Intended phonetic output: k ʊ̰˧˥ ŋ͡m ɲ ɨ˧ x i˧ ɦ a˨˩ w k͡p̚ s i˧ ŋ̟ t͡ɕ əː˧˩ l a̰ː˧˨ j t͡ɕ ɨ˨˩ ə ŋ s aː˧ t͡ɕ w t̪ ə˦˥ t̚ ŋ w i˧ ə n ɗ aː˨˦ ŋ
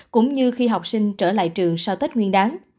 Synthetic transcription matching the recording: k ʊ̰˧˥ ŋ͡m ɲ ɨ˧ x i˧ ɦ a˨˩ w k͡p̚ s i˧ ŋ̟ t͡ɕ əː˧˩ l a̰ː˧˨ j t͡ɕ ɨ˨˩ ə ŋ s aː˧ w t̪ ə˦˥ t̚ ŋ w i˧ ə n ɗ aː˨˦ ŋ